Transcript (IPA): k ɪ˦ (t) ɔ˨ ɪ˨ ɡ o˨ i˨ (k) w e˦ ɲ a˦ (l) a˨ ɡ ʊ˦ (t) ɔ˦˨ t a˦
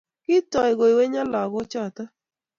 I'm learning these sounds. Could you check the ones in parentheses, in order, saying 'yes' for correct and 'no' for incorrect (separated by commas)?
yes, no, yes, no